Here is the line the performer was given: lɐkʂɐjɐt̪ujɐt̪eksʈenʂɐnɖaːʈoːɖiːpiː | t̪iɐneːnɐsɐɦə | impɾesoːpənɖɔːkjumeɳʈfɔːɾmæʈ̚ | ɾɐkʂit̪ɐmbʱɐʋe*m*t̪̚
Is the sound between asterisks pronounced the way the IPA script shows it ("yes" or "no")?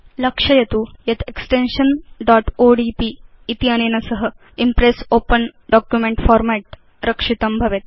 no